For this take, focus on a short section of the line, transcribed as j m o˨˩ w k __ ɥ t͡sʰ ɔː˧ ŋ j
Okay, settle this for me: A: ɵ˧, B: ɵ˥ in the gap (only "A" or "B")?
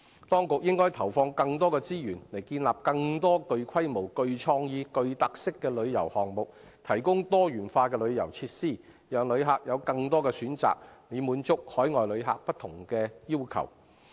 A